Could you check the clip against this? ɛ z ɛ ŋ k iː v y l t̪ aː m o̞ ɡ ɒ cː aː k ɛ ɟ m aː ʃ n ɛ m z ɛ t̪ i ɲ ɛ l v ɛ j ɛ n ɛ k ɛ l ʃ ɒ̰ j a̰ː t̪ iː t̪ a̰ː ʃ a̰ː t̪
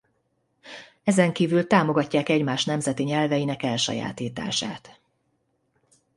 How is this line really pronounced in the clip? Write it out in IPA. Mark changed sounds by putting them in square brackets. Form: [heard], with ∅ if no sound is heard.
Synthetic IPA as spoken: ɛ z ɛ ŋ k iː v y l t̪ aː m o̞ ɡ ɒ cː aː k ɛ ɟ m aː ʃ n ɛ m z ɛ t̪ i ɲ ɛ l v ɛ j [i] n ɛ k ɛ l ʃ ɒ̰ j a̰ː t̪ iː t̪ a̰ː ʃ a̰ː t̪